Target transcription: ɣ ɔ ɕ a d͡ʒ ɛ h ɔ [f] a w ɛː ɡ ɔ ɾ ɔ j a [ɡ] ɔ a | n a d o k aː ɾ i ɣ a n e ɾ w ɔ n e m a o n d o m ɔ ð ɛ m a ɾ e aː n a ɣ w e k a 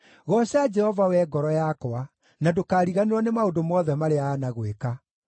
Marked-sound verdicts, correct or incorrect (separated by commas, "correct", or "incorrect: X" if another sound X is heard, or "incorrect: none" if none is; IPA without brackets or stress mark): incorrect: v, incorrect: k